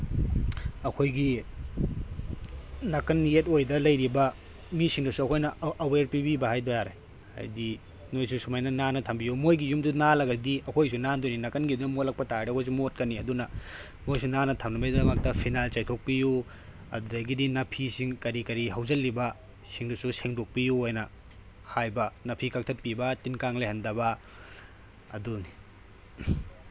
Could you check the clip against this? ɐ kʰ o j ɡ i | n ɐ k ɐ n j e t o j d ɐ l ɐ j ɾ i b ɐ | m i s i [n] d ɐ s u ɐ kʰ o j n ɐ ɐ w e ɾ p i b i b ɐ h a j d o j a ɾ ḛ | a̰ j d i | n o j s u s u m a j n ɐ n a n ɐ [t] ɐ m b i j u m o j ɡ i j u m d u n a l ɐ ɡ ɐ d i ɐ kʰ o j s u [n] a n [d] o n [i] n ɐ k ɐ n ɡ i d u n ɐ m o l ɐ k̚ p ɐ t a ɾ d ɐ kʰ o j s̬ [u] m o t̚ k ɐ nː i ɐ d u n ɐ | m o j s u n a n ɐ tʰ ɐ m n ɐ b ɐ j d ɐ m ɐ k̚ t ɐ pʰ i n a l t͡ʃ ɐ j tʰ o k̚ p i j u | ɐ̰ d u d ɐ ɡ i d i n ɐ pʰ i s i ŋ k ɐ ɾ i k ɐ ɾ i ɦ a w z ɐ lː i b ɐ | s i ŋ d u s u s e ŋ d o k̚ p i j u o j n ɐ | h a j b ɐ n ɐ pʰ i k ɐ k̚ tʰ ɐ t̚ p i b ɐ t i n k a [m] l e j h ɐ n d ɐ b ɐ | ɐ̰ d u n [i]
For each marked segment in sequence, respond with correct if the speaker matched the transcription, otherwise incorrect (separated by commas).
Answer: incorrect, incorrect, correct, correct, correct, correct, incorrect, correct